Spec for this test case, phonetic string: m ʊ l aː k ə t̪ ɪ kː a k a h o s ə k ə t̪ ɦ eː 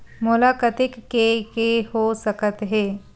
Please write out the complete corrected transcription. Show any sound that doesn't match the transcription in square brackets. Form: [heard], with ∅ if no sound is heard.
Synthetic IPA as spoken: m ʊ l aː k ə t̪ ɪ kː [e] k [e] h o s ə k ə t̪ ɦ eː